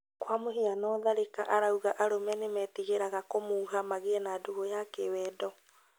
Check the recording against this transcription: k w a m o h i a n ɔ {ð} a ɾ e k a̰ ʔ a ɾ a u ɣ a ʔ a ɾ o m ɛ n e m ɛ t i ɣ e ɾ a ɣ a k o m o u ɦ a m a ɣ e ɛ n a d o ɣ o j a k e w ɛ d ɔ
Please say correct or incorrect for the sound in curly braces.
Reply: correct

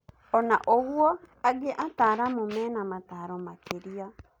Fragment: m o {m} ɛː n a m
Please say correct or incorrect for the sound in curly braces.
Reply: correct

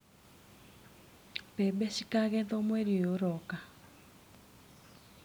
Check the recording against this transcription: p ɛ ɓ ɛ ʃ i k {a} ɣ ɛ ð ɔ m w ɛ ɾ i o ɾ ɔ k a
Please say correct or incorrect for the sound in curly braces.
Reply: correct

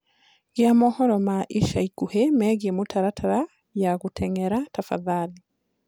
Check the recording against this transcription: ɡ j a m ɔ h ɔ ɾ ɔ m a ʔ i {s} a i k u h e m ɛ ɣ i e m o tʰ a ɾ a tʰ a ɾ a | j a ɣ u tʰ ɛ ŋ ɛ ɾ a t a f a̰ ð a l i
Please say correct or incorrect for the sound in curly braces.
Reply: incorrect: ʃ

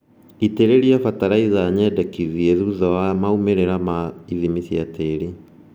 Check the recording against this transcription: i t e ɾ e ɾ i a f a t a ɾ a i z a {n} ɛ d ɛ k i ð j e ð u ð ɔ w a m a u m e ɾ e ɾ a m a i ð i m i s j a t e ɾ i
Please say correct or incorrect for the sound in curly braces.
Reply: incorrect: ɲ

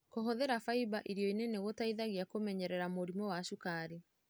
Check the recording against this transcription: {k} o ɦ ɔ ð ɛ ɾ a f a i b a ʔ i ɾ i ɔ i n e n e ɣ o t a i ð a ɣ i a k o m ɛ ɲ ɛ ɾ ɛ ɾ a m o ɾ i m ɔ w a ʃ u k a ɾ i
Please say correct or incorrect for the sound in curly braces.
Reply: correct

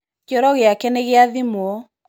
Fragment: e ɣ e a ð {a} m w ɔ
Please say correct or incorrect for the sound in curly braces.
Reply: incorrect: i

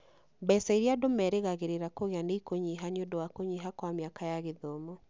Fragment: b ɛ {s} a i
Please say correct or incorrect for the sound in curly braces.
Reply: correct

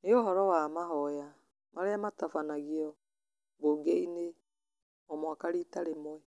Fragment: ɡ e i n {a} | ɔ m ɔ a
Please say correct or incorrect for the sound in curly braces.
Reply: incorrect: e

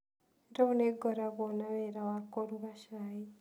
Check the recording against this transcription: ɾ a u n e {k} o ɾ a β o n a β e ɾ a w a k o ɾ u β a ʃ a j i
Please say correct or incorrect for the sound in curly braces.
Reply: incorrect: ɡ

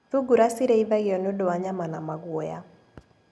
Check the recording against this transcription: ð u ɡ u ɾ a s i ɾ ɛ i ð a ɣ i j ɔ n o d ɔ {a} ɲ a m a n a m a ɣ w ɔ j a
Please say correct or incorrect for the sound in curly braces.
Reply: correct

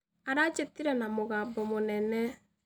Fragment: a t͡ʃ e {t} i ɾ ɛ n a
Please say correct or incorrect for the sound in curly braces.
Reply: correct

